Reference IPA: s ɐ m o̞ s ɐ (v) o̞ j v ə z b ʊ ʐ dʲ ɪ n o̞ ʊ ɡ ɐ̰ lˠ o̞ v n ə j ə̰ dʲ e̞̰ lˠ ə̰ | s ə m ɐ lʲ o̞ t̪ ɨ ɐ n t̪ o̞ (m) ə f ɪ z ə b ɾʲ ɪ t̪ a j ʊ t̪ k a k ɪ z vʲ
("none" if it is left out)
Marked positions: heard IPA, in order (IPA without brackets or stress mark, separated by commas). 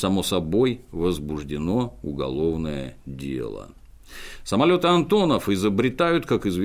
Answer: b, n